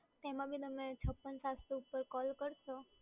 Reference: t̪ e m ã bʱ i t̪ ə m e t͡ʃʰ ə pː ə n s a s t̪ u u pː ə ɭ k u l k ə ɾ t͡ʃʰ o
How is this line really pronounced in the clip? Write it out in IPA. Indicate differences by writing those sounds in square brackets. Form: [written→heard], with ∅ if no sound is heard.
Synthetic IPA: t̪ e m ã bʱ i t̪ ə m e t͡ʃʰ ə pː ə n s a s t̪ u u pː ə [ɭ→ɾ] k [u→ɔ] l k ə ɾ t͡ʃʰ o

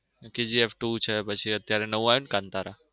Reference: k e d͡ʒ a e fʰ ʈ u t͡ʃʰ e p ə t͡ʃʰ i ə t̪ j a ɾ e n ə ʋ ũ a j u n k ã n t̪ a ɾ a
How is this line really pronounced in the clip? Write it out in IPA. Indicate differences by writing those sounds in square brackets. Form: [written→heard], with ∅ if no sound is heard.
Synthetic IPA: k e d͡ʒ [a→i] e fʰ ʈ u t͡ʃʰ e p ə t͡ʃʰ i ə t̪ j a ɾ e n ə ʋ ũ a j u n k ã n t̪ a ɾ a

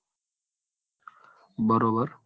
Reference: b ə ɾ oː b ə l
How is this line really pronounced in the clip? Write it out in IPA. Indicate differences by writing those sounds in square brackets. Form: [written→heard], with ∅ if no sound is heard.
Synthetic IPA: b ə ɾ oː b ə [l→ɾ]

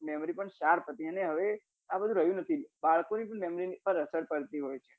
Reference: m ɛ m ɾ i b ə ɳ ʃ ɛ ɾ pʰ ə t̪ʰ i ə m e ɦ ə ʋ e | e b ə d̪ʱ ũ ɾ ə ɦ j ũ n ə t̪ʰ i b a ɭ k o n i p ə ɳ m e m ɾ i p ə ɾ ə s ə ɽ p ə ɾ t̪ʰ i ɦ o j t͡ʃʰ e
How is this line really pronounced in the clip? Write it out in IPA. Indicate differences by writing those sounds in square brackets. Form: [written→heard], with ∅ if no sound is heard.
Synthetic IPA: m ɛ m ɾ i [b→p] ə ɳ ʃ [ɛ→a] ɾ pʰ ə [t̪ʰ→t̪] i ə [m→n] e ɦ ə ʋ e | [e→a] b ə d̪ʱ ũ ɾ ə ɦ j ũ n ə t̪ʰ i b a ɭ k o n i p ə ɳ m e m ɾ i p ə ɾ ə s ə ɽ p ə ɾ [t̪ʰ→t̪] i ɦ o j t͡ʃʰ e

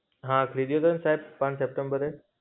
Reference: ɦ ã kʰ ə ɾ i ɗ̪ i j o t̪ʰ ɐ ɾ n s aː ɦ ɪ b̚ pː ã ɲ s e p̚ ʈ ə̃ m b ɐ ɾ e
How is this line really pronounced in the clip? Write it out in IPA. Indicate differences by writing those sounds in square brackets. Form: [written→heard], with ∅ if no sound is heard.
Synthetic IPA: ɦ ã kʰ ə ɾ i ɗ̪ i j o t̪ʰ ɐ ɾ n s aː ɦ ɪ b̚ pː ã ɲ s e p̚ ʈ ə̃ m b [ɐ→ə] ɾ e

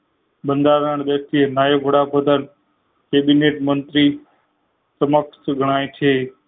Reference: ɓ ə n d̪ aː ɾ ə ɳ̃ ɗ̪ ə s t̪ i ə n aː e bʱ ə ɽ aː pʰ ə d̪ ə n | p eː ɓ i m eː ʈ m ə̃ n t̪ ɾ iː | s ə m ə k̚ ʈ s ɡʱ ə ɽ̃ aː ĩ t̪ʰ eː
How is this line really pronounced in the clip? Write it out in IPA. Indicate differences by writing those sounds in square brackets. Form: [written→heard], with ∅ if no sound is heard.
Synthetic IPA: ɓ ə n d̪ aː ɾ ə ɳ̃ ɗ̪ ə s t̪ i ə n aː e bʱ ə ɽ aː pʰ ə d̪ ə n | [p→k] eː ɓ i [m→n] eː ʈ m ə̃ n t̪ ɾ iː | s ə m ə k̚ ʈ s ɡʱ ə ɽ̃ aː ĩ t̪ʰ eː

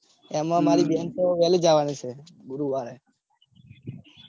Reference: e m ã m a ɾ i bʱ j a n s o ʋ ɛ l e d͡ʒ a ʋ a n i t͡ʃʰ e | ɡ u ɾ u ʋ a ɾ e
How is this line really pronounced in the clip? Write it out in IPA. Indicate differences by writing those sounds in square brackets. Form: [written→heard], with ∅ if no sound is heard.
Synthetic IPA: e m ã m a ɾ i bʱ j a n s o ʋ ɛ l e d͡ʒ a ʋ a n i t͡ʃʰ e | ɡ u ɾ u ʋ a ɾ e

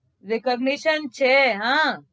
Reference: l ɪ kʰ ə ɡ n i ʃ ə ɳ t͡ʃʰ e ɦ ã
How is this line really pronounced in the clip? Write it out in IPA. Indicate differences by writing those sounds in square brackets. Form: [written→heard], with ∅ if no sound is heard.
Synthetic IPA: [l→ɾ] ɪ [kʰ→k] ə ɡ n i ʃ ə [ɳ→n] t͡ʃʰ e ɦ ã

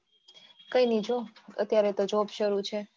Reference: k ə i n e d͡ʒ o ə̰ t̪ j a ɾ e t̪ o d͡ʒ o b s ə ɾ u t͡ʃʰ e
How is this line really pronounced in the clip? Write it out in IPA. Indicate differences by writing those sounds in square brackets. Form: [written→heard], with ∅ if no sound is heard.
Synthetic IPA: k ə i n [e→i] d͡ʒ o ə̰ t̪ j a ɾ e t̪ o d͡ʒ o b [s→ʃ] ə ɾ u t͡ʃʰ e

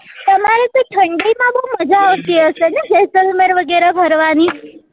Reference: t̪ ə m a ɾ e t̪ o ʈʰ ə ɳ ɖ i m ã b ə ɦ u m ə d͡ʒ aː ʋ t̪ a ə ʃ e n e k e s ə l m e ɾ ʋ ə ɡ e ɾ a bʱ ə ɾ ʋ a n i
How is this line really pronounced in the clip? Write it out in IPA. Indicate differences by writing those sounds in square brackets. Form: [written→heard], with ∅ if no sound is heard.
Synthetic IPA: t̪ ə m a ɾ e t̪ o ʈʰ ə ɳ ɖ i m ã b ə ɦ u m ə d͡ʒ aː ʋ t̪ [a→i] ə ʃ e n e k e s ə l m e ɾ ʋ ə ɡ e ɾ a bʱ ə ɾ ʋ a n i

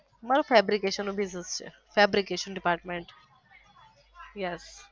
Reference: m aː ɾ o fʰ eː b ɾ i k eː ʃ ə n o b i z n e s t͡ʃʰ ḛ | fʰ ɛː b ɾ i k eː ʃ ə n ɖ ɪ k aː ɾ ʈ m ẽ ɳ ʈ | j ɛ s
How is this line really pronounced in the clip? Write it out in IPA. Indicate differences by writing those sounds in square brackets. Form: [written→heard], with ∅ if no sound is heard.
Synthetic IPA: m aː ɾ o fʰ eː b ɾ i k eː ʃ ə n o b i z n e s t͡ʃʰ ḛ | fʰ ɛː b ɾ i k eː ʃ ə n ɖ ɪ [k→p] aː ɾ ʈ m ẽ ɳ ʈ | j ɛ s

